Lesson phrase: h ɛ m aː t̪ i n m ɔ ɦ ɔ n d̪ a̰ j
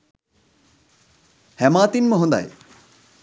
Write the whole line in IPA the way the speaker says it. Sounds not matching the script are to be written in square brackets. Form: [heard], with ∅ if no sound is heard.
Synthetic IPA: h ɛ m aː t̪ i n m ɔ ɦ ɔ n d̪ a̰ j

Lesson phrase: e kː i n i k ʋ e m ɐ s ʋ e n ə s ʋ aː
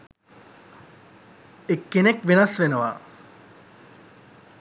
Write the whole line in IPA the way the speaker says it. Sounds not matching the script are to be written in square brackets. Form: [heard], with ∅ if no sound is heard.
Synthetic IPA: e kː [e] n [e] k ʋ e [n] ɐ s ʋ e n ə [∅] ʋ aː

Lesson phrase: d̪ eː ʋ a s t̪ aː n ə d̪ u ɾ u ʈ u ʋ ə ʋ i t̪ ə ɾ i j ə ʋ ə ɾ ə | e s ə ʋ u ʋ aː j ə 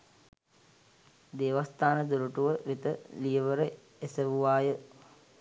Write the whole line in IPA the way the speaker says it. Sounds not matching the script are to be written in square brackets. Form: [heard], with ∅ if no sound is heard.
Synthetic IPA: d̪ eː ʋ a s t̪ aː n ə d̪ u ɾ u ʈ u ʋ ə ʋ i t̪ ə [l] i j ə ʋ ə ɾ ə | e s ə ʋ u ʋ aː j ə

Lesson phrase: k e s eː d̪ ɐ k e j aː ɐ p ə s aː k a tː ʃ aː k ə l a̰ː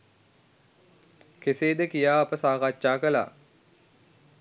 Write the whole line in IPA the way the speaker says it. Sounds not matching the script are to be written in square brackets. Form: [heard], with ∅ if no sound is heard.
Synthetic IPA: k e s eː d̪ [ə] k [i] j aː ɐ p ə s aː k a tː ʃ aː k ə l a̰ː

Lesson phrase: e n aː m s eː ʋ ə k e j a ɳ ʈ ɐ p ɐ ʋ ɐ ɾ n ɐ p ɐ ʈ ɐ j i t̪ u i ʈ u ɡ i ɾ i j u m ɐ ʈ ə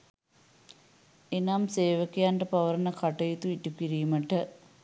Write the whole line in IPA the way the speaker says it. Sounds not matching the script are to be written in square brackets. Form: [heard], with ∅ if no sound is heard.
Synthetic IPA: e n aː m s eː ʋ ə k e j a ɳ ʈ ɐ p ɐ ʋ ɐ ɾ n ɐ [k] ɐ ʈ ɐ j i t̪ u i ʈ u [k] i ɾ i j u m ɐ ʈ ə

